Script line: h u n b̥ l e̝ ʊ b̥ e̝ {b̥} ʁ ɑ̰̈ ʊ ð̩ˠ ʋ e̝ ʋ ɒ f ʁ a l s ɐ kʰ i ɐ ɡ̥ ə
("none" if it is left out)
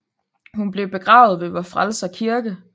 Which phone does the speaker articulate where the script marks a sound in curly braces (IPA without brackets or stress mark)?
ɡ̥